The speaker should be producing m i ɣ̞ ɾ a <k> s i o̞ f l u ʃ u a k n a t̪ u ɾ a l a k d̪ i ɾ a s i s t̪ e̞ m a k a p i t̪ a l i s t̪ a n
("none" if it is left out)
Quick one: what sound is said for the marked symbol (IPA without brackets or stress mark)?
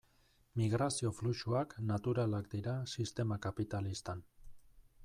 none